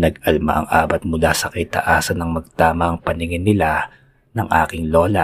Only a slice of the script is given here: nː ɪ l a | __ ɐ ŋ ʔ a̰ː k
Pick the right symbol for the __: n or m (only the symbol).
n